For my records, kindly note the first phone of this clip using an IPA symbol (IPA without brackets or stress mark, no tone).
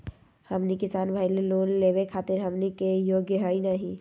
h